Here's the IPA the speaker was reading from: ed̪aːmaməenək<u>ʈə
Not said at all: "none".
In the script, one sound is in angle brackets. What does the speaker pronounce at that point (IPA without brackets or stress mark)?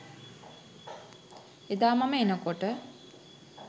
o